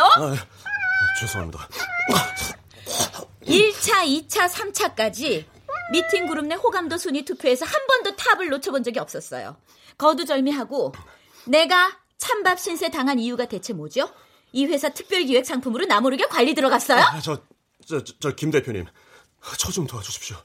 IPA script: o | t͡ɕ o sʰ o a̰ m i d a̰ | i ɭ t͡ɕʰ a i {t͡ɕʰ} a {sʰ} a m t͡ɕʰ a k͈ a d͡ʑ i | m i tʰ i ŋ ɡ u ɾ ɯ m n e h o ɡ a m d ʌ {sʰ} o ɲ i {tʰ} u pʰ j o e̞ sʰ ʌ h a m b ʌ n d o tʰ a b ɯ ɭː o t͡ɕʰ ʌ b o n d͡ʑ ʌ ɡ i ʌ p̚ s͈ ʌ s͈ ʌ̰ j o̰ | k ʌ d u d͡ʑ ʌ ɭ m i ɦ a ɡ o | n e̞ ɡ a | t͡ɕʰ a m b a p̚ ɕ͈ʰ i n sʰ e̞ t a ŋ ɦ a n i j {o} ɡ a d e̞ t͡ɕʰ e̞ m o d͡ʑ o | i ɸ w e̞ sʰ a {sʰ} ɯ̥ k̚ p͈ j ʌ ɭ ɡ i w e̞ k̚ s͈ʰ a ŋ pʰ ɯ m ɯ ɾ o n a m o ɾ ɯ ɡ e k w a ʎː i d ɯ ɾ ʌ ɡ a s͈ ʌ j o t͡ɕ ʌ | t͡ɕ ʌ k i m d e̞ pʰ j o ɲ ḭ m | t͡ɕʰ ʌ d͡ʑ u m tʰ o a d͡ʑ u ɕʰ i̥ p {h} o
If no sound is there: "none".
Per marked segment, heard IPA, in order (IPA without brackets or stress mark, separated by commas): t͡ɕʰ, sʰ, sʰ, tʰ, u, tʰ, ɕ